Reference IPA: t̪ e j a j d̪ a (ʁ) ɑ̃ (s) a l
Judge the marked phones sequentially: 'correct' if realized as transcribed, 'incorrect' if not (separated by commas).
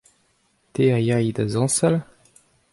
incorrect, correct